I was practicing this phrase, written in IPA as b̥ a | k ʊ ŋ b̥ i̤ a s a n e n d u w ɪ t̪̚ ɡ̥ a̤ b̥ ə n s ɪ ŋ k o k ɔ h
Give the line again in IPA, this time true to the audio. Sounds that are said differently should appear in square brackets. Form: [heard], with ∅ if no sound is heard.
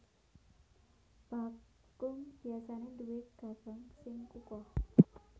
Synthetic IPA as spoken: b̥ a | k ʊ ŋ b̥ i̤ a s a n e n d u w ɪ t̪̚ ɡ̥ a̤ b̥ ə [ŋ] s ɪ ŋ k [u] k ɔ h